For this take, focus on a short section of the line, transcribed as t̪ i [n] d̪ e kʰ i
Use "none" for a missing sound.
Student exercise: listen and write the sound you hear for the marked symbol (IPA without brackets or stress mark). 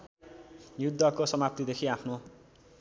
none